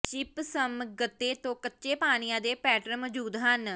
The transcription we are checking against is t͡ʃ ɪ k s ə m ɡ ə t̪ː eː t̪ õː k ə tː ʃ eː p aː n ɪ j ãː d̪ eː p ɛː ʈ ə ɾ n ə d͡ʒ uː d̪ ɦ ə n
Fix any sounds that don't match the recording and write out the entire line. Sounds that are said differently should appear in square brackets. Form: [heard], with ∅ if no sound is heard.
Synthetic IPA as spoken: t͡ʃ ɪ [p] s ə m ɡ ə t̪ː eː t̪ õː k ə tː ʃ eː p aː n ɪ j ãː d̪ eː p ɛː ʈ ə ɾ [m] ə d͡ʒ uː d̪ ɦ ə n

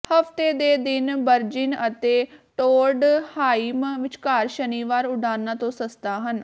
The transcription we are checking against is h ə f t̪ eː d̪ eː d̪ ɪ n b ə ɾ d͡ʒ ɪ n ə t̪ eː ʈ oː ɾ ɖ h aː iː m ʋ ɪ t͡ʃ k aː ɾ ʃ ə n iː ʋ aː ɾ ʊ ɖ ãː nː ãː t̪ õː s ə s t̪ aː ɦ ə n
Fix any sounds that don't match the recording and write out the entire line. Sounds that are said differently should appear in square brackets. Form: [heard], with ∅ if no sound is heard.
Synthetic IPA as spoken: h ə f t̪ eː d̪ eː d̪ ɪ n b ə ɾ d͡ʒ ɪ n ə t̪ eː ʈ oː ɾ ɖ h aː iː m ʋ ɪ t͡ʃ k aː ɾ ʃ ə n iː ʋ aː ɾ ʊ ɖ [aː] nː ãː t̪ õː s ə s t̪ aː ɦ ə n

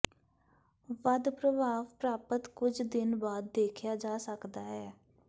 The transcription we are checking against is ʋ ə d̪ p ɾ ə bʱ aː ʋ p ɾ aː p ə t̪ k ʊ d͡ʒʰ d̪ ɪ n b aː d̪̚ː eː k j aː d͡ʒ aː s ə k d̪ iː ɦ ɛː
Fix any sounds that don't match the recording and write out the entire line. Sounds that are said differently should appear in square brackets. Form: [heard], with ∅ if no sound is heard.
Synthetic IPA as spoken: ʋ ə d̪ p ɾ ə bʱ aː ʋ p ɾ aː p ə t̪ k ʊ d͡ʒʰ d̪ ɪ n b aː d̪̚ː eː [kʰ] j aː d͡ʒ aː s ə k d̪ [aː] ɦ ɛː

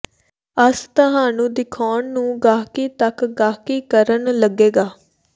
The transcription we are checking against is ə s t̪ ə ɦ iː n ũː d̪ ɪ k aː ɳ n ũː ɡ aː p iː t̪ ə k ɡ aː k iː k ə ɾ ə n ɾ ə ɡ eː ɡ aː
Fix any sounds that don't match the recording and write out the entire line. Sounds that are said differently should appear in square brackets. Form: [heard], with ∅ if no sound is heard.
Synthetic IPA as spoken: ə s t̪ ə ɦ [aː] n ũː d̪ ɪ [kʰ] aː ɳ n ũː ɡ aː [k] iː t̪ ə k ɡ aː k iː k ə ɾ ə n [l] ə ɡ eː ɡ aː

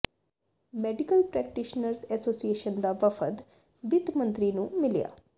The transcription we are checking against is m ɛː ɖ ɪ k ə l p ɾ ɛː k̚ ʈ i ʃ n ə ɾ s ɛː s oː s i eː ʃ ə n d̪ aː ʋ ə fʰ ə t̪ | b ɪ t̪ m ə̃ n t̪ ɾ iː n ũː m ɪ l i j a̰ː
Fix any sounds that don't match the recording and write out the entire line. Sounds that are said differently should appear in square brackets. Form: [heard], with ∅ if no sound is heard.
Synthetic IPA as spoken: m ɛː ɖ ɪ k ə l p ɾ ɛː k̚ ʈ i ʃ n ə ɾ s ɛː s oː s i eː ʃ ə n d̪ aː ʋ ə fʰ ə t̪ | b ɪ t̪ m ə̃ n t̪ ɾ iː n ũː m ɪ l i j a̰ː

